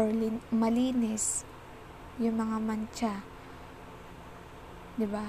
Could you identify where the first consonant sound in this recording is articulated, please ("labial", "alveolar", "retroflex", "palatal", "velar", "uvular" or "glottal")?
labial